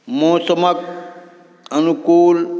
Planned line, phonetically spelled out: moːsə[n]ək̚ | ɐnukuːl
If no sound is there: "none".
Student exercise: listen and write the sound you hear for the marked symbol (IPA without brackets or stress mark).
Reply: m